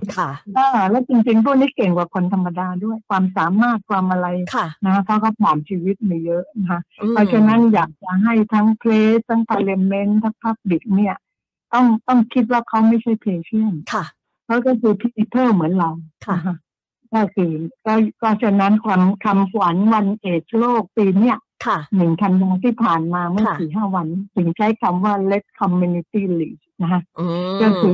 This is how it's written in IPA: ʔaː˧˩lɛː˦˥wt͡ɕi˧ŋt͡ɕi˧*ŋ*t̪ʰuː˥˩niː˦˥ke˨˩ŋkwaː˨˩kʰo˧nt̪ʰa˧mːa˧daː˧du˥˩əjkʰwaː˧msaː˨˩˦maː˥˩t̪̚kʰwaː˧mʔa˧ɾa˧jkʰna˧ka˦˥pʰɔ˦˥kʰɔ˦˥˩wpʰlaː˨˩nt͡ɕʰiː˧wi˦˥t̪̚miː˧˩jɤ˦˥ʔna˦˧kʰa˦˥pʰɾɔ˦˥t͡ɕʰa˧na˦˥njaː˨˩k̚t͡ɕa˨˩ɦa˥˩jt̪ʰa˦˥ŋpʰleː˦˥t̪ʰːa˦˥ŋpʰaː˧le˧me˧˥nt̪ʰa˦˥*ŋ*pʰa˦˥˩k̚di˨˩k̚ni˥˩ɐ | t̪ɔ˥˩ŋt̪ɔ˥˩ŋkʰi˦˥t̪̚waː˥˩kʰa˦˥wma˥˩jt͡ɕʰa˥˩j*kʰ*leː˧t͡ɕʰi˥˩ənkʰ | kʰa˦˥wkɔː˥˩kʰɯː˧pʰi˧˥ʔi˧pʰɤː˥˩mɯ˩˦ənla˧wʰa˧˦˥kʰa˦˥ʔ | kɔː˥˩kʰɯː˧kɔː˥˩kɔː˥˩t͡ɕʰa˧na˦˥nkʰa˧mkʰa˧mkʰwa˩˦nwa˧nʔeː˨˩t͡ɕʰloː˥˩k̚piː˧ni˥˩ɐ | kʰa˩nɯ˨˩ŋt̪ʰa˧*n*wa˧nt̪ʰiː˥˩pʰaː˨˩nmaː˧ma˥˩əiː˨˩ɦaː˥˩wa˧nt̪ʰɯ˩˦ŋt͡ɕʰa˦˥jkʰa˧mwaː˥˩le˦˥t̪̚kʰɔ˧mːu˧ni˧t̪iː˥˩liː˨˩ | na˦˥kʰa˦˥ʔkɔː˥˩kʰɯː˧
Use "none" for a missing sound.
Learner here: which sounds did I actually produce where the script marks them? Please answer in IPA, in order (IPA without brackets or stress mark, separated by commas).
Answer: ŋ, ŋ, pʰ, n